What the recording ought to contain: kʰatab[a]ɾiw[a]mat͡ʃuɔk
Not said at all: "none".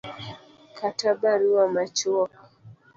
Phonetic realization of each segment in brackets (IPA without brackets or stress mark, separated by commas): a, a